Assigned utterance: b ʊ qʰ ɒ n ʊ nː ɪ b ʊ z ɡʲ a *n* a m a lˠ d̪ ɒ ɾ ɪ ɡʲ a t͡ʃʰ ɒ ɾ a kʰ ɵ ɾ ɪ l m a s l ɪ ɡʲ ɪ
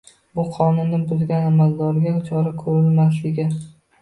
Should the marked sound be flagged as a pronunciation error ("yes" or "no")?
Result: no